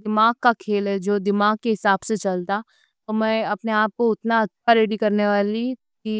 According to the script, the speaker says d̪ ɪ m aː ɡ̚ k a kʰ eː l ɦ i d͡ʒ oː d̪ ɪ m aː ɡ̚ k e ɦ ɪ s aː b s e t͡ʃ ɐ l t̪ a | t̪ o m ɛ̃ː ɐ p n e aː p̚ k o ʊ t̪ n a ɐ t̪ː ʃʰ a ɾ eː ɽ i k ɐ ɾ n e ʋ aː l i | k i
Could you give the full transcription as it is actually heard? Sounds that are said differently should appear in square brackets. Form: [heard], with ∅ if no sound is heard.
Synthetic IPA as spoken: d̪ ɪ m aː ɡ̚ k a kʰ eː l ɦ [ɛ] d͡ʒ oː d̪ ɪ m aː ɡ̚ k e ɦ ɪ s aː b s e t͡ʃ ɐ l t̪ a | t̪ o m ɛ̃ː ɐ p n e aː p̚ k o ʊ t̪ n a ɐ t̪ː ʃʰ a ɾ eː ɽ i k ɐ ɾ n e ʋ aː l i | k i